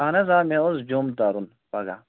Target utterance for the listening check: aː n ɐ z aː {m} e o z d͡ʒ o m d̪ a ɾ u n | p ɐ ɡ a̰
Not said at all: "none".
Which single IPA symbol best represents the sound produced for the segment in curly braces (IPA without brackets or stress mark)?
m